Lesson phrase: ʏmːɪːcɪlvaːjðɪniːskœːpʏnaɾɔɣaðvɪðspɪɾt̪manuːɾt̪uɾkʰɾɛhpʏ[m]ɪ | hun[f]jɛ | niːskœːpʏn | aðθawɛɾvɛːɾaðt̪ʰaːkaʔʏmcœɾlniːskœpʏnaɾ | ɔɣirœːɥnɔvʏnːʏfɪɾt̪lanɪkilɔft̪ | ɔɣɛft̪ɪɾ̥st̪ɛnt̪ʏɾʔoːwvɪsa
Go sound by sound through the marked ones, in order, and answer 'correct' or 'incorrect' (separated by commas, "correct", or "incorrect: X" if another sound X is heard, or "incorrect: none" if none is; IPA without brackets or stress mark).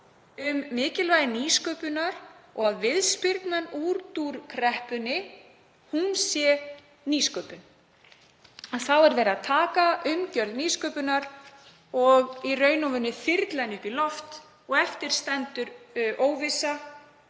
incorrect: n, incorrect: s